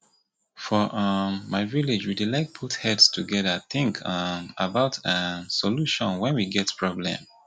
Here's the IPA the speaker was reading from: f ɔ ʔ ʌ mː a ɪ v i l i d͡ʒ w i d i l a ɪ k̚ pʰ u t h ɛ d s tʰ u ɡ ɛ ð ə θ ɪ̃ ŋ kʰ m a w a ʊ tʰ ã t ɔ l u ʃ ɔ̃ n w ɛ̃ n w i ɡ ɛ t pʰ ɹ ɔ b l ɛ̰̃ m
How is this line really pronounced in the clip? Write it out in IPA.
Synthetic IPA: f ɔ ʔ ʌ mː a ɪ v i l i d͡ʒ w i d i l a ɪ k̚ pʰ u t h ɛ d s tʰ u ɡ ɛ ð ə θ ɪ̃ ŋ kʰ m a b a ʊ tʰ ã s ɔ l u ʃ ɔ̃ n w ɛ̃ n w i ɡ ɛ t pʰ ɹ ɔ b l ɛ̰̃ m